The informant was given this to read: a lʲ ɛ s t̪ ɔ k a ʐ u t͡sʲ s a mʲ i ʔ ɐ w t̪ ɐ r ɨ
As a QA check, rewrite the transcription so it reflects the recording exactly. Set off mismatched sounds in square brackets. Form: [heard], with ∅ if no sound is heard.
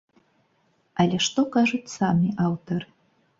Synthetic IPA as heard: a lʲ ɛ [ʂ] t̪ ɔ k a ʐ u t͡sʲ s a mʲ i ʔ [a] w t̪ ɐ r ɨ